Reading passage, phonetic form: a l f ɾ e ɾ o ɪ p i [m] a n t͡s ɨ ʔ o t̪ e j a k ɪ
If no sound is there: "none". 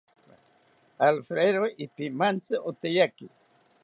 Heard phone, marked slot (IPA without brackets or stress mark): m